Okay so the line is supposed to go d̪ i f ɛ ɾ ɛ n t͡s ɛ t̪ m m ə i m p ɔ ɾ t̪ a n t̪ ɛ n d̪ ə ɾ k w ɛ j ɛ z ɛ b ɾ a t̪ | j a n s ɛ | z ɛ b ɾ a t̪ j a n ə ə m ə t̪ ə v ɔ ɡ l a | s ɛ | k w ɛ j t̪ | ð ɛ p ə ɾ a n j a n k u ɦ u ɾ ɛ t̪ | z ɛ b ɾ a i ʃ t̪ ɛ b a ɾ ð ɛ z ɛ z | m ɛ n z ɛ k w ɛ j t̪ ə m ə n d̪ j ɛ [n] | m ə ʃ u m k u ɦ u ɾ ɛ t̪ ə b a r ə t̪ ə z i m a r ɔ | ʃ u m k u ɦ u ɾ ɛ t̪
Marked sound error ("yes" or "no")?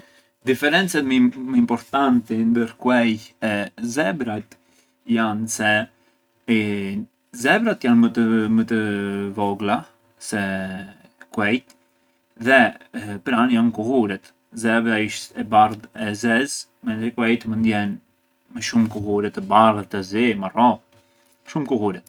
no